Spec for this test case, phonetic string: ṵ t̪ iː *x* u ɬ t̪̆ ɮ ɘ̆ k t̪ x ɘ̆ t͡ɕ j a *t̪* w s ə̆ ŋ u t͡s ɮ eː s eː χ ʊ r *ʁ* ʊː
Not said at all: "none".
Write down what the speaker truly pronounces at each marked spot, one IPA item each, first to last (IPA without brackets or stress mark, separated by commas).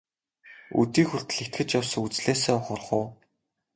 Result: x, none, χ